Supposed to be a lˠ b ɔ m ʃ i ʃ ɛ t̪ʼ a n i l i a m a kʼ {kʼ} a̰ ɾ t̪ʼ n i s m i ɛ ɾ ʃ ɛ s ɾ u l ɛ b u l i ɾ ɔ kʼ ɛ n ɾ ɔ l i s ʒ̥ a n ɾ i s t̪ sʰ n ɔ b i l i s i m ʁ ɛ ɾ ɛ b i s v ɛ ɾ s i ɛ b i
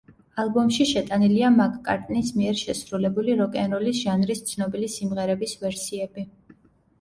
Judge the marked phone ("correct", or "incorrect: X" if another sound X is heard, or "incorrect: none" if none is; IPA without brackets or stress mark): correct